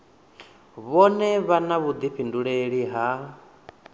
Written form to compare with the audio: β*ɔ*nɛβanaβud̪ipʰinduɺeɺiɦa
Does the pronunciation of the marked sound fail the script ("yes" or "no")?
no